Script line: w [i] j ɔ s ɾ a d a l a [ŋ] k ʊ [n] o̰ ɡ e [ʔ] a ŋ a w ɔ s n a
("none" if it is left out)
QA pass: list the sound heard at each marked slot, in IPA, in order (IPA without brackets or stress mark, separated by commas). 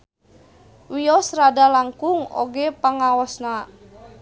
i, ŋ, ŋ, p